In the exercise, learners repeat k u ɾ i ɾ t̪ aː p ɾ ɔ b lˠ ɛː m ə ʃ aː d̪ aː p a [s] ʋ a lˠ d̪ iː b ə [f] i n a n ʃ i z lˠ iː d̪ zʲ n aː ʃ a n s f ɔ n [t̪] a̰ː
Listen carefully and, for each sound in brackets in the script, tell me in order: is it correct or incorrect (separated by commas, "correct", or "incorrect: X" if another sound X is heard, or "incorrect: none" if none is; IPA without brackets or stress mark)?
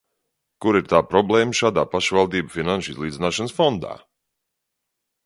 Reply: incorrect: ʃ, correct, incorrect: d̪